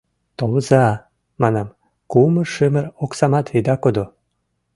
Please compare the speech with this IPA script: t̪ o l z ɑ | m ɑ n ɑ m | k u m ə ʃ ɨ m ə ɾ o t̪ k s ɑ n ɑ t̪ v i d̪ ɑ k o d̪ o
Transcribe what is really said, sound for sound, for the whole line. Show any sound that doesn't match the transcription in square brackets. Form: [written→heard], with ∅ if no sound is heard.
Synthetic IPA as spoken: t̪ o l z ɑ | m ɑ n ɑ m | k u m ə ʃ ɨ m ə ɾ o [t̪→∅] k s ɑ [n→m] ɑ t̪ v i d̪ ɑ k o d̪ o